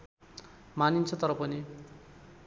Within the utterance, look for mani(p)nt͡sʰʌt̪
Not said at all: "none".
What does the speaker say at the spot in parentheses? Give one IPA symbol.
none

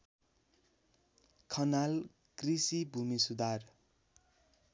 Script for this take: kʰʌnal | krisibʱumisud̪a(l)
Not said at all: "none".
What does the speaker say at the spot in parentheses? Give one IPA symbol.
r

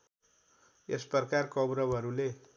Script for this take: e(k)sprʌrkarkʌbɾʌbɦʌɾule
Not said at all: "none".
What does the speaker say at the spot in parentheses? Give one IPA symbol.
none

